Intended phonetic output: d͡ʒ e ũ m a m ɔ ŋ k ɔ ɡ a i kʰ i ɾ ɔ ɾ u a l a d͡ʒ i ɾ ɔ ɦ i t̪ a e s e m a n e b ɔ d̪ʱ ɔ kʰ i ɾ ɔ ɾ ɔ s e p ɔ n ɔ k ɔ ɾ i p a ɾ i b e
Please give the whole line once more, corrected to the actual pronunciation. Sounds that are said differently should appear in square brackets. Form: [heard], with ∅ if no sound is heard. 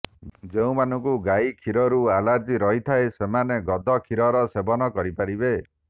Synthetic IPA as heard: d͡ʒ e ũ m a [n] ɔ ŋ k [u] ɡ a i kʰ i ɾ ɔ ɾ u a l a d͡ʒ i ɾ ɔ ɦ i [t̪ʰ] a e s e m a n e [ɡ] ɔ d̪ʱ ɔ kʰ i ɾ ɔ ɾ ɔ s e [b] ɔ n ɔ k ɔ ɾ i p a ɾ i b e

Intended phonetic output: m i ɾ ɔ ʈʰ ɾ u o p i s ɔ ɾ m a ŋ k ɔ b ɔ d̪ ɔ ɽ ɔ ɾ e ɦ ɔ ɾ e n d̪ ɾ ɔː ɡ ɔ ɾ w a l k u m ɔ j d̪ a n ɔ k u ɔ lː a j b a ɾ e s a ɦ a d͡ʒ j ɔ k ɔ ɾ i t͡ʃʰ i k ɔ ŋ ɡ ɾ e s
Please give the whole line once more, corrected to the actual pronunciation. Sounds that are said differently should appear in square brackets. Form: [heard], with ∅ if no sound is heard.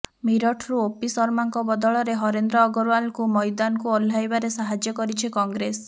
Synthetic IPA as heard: m i ɾ ɔ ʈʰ ɾ u o p i s ɔ ɾ m a ŋ k ɔ b ɔ d̪ ɔ [ɭ] ɔ ɾ e ɦ ɔ ɾ e n d̪ ɾ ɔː ɡ ɔ ɾ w a l k u m ɔ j d̪ a n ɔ k u ɔ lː a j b a ɾ e s a ɦ a d͡ʒ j ɔ k ɔ ɾ i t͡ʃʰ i k ɔ ŋ ɡ ɾ e s

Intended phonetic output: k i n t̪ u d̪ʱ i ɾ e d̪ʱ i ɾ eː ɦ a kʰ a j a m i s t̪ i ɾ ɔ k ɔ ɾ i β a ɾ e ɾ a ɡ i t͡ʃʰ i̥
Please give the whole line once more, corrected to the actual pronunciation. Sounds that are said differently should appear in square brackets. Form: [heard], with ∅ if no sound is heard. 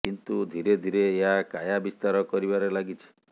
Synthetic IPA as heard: k i n t̪ u d̪ʱ i ɾ e d̪ʱ i ɾ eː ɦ a [k] a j a [b] i s t̪ [a] ɾ ɔ k ɔ ɾ i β a ɾ e [l] a ɡ i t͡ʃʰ i̥

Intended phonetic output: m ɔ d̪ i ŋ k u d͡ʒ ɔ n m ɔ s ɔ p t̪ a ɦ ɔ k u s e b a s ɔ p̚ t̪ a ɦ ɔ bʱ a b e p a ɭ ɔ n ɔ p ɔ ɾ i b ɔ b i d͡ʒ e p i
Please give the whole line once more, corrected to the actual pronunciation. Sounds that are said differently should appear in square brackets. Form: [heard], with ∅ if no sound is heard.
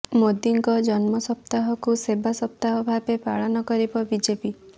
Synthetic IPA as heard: m [o] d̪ i ŋ k [ɔ] d͡ʒ ɔ n m ɔ s ɔ p t̪ a ɦ ɔ k u s e b a s ɔ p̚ t̪ a ɦ ɔ bʱ a b e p a ɭ ɔ n ɔ [k] ɔ ɾ i b ɔ b i d͡ʒ e p i

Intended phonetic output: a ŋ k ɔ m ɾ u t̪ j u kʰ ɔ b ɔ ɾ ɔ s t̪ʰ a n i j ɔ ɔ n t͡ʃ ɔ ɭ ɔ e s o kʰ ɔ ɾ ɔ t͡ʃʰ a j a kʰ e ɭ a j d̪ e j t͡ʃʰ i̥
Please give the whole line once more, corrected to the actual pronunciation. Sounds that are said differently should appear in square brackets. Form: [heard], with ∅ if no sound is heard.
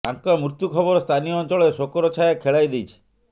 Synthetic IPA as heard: a ŋ k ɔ m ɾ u t̪ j u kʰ ɔ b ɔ ɾ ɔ s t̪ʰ a n i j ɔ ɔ n t͡ʃ ɔ ɭ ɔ e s o [k] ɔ ɾ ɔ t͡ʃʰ a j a kʰ e ɭ a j d̪ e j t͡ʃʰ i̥

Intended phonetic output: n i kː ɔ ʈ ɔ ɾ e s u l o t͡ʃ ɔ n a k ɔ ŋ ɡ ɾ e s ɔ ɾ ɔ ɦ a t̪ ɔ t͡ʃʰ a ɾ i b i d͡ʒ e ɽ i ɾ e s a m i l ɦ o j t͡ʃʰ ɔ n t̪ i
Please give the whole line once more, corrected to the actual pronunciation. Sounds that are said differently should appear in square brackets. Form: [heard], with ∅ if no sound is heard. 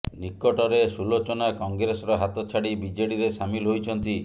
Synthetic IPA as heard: n i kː ɔ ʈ ɔ ɾ e s u l o t͡ʃ ɔ n a k ɔ ŋ ɡ ɾ e s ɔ ɾ ɔ ɦ a t̪ ɔ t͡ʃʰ a [ɽ] i b i d͡ʒ e ɽ i ɾ e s a m i l ɦ o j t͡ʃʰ ɔ n t̪ i

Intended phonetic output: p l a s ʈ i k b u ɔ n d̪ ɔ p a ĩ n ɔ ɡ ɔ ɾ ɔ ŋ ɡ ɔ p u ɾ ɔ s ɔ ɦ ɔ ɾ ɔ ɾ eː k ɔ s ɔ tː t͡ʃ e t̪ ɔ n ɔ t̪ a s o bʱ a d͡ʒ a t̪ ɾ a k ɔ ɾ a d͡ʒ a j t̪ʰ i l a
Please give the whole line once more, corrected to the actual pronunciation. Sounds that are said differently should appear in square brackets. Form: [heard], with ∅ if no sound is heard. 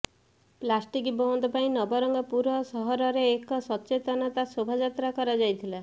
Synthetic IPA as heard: p l a s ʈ i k b [ɔ] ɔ n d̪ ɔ p a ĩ n ɔ [b] ɔ ɾ ɔ ŋ ɡ ɔ p u ɾ ɔ s ɔ ɦ ɔ ɾ ɔ ɾ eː k ɔ s ɔ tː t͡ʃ e t̪ ɔ n ɔ t̪ a s o bʱ a d͡ʒ a t̪ ɾ a k ɔ ɾ a d͡ʒ a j t̪ʰ i l a

